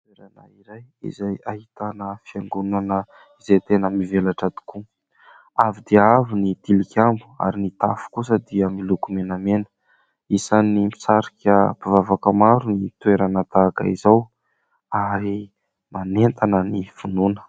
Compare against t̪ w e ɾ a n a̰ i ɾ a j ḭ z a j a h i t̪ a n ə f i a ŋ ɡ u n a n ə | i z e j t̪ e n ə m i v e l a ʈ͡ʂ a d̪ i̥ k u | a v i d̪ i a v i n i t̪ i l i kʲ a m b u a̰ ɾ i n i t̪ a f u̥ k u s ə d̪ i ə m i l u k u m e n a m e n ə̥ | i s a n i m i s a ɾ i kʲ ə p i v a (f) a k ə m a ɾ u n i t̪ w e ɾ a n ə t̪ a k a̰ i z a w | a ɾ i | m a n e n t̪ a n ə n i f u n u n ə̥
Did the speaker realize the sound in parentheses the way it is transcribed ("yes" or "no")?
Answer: no